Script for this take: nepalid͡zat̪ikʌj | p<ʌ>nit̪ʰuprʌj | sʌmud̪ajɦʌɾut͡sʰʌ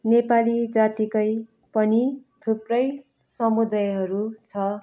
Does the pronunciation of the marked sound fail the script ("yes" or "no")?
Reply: no